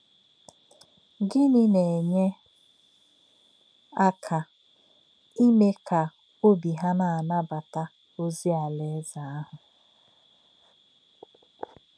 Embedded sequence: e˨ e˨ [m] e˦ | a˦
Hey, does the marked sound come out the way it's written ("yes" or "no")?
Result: no